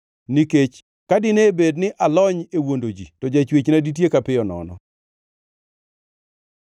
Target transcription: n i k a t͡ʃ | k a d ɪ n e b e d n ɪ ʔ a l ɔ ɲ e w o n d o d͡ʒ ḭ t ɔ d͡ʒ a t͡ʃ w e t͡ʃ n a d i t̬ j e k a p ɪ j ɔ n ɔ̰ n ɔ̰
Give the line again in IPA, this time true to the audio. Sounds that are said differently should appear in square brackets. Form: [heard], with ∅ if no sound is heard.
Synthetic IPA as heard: n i k [e] t͡ʃ | k a d ɪ n e b e d n ɪ ʔ a l ɔ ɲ e w o n d o d͡ʒ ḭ t ɔ d͡ʒ a t͡ʃ w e t͡ʃ n a d i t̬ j e k a p ɪ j ɔ n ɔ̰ n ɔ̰